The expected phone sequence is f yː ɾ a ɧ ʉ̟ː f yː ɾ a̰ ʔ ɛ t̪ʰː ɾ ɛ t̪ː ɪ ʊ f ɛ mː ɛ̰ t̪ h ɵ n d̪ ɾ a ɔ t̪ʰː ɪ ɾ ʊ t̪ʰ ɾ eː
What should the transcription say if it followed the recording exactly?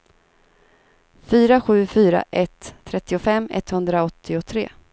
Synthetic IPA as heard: f yː ɾ a ɧ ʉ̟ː f yː ɾ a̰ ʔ ɛ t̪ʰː ɾ ɛ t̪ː ɪ ʊ f ɛ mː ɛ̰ t̪ h ɵ n d̪ ɾ a ɔ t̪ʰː ɪ ʊ t̪ʰ ɾ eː